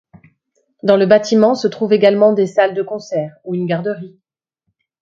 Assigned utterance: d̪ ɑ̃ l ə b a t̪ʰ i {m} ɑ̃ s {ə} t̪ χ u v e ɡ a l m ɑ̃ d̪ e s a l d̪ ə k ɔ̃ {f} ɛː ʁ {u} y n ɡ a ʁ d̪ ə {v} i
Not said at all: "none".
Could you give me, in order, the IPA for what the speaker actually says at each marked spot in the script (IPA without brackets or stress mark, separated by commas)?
m, ə, s, u, ʁ